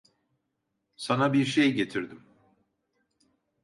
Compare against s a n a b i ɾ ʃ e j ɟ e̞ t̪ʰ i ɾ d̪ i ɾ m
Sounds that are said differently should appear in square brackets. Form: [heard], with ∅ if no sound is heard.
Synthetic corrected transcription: s a n a b i ɾ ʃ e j ɟ e̞ t̪ʰ i ɾ d̪ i [∅] m